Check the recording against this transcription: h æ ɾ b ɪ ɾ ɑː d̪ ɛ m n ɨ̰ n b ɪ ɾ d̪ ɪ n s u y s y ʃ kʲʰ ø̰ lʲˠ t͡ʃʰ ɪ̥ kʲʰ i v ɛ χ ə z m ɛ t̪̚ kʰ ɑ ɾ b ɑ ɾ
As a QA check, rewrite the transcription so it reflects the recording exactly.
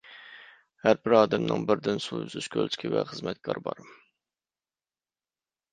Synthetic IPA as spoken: h æ ɾ b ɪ ɾ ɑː d̪ ɛ m n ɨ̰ ŋ b ɪ ɾ d̪ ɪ n s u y z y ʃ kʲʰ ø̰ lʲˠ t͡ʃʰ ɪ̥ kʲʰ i v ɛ χ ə z m ɛ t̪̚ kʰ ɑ ɾ b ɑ ɾ